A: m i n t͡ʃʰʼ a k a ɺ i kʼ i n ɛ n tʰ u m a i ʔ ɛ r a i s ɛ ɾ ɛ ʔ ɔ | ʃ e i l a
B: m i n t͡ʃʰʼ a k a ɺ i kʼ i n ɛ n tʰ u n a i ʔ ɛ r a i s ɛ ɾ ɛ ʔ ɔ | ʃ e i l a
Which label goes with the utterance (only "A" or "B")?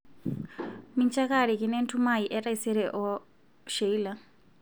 A